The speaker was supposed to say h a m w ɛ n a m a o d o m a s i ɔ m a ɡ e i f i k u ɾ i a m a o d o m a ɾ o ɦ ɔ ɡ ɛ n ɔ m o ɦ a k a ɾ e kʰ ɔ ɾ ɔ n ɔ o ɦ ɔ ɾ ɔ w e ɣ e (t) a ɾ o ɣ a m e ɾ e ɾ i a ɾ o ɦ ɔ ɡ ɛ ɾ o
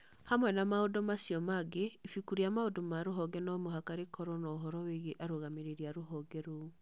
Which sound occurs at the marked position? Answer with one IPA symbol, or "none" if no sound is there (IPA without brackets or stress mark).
ʔ